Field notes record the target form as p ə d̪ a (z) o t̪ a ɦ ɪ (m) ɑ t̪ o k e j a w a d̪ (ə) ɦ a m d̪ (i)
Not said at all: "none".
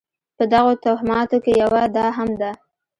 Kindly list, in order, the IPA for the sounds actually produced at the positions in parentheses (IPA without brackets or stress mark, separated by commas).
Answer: ɣ, m, ɑ, a